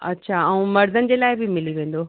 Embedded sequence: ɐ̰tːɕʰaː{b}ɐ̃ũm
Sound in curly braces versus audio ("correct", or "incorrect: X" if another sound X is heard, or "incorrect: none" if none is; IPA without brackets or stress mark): incorrect: none